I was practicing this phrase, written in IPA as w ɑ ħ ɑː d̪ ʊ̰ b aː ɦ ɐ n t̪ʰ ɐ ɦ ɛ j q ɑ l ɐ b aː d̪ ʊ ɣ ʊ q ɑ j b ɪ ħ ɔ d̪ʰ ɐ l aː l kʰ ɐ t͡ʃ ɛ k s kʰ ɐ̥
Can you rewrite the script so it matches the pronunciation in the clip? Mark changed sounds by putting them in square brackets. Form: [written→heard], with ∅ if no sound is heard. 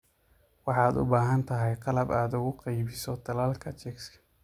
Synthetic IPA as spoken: w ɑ ħ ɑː d̪ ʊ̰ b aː ɦ ɐ n t̪ʰ ɐ ɦ ɛ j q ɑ l ɐ b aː d̪ ʊ ɣ ʊ q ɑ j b ɪ [ħ→s] ɔ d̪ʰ ɐ l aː l kʰ ɐ t͡ʃ ɛ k s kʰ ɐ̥